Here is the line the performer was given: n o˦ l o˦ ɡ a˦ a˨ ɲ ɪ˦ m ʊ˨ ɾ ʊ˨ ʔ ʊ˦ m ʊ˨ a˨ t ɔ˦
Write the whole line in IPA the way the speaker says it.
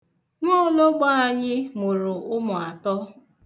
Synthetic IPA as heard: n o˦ l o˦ ɡ͡b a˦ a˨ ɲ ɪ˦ m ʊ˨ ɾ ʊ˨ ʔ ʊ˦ m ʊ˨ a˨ t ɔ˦